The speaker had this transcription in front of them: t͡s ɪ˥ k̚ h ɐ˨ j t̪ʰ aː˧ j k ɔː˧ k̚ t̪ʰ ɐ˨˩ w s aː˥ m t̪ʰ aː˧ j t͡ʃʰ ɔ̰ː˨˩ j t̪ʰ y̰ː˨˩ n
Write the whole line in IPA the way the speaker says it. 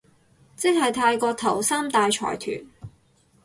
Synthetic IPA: t͡s ɪ˥ k̚ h ɐ˨ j t̪ʰ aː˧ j k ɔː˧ k̚ t̪ʰ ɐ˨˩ w s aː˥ m t̪ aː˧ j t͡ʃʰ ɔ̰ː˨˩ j t̪ʰ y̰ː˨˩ n